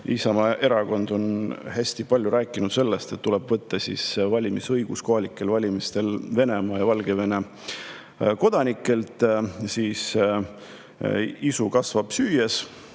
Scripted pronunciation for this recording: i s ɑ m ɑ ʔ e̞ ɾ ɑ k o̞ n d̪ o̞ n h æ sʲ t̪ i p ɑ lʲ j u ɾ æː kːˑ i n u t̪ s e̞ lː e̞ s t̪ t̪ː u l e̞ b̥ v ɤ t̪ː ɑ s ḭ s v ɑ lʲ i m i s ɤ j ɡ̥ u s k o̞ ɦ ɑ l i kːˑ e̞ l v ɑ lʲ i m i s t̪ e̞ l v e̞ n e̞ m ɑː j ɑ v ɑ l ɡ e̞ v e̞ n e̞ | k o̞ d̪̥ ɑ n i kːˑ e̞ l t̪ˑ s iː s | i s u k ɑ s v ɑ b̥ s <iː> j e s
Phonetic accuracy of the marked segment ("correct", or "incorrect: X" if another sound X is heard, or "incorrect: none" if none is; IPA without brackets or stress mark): incorrect: yː